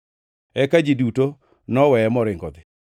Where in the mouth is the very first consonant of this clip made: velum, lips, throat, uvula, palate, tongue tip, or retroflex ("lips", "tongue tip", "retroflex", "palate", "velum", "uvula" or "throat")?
velum